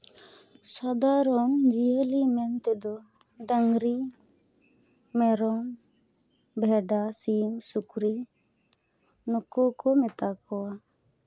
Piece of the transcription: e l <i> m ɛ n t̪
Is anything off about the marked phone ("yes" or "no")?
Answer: no